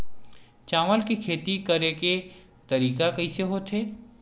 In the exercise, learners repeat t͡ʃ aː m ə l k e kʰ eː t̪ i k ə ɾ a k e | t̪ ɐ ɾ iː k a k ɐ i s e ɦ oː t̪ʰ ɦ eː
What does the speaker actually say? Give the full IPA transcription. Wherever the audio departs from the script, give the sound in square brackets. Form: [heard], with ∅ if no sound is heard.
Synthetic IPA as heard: t͡ʃ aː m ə l k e kʰ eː t̪ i k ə ɾ [e] k e | t̪ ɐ ɾ iː k a k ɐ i s e ɦ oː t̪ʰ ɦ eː